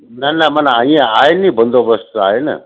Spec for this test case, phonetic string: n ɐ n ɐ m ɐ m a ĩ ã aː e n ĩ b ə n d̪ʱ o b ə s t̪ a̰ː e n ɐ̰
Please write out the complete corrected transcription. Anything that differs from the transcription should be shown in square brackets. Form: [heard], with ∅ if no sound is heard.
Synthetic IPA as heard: n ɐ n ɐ m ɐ [n] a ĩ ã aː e n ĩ b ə n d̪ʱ o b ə s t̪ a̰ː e n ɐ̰